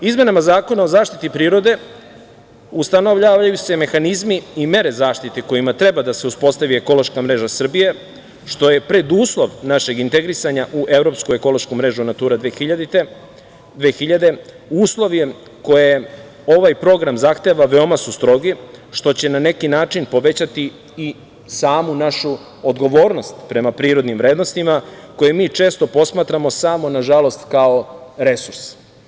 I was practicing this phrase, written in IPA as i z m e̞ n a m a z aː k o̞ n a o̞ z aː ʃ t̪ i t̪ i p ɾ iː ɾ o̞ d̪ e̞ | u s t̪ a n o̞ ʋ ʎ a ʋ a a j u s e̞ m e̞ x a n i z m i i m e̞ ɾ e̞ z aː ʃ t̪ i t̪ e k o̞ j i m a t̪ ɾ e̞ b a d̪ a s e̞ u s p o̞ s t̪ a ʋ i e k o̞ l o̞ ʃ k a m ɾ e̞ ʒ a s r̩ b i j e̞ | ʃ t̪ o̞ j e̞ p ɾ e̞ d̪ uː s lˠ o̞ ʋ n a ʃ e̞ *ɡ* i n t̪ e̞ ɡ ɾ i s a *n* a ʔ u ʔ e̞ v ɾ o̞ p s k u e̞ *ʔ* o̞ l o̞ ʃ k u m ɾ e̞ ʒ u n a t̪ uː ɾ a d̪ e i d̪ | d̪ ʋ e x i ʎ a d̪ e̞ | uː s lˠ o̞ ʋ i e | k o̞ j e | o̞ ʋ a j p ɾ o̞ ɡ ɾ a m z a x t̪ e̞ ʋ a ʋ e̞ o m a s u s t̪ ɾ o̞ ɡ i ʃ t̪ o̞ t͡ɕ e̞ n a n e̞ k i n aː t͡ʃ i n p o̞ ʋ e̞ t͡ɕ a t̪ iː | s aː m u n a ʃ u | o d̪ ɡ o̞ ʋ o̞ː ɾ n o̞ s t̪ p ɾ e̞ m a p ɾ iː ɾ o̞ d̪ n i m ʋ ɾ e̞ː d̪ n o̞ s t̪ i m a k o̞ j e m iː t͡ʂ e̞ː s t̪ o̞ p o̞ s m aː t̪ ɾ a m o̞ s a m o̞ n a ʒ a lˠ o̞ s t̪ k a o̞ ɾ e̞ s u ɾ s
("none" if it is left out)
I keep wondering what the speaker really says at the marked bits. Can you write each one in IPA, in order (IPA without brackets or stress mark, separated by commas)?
ɡ, ɲ, k